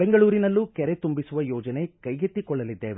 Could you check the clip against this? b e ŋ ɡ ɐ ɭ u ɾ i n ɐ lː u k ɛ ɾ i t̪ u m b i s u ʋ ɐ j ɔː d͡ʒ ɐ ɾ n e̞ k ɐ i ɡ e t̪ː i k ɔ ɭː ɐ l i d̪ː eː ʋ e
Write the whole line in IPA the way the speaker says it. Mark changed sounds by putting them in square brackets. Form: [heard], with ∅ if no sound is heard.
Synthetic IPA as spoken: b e ŋ ɡ ɐ ɭ [uː] ɾ i n ɐ lː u k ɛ ɾ [e] t̪ u m b i s u ʋ ɐ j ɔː d͡ʒ ɐ [∅] n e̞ k ɐ [j] ɡ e t̪ː i k ɔ ɭː ɐ l i d̪ː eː ʋ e